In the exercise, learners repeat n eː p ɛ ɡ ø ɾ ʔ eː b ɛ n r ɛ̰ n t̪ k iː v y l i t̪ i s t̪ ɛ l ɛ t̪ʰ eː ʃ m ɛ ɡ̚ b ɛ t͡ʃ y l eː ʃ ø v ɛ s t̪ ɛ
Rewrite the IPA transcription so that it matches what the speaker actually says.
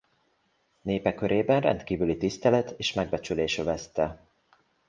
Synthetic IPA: n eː p ɛ k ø ɾ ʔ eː b ɛ n r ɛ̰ n t̪ k iː v y l i t̪ i s t̪ ɛ l ɛ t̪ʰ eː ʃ m ɛ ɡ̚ b ɛ t͡ʃ y l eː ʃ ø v ɛ s t̪ ɛ